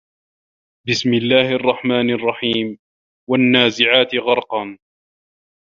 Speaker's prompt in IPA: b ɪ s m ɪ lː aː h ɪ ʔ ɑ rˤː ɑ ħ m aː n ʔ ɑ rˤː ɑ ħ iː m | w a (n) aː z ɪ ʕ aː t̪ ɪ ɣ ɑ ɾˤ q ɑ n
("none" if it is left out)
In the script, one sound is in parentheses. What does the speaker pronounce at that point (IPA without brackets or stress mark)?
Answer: nː